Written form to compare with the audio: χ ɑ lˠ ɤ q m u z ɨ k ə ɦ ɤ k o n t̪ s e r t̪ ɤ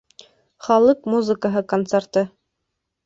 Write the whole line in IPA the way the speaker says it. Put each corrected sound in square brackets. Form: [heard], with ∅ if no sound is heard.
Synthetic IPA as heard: χ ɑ lˠ ɤ q m u z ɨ k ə ɦ ɤ k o n t̪ s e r t̪ ɤ